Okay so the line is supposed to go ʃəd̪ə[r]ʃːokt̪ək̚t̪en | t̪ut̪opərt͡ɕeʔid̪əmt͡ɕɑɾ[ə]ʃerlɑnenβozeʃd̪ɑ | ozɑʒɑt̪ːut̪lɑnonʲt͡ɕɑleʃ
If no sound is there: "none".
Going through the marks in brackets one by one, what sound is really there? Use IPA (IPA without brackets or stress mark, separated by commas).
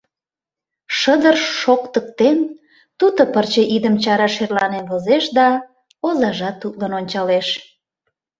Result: r, ɑ